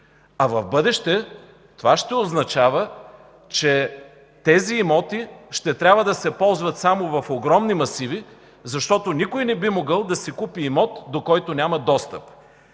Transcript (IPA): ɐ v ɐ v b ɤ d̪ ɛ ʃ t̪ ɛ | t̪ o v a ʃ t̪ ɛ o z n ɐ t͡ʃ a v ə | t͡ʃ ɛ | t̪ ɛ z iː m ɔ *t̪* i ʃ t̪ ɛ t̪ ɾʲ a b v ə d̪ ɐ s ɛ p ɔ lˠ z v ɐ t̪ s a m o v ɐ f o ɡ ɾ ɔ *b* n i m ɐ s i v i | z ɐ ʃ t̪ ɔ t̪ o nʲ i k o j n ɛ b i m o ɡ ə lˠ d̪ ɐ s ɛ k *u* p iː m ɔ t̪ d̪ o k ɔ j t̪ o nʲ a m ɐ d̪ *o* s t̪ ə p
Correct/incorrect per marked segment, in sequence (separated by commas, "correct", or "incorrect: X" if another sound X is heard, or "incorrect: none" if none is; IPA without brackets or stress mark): correct, incorrect: m, correct, incorrect: ɔ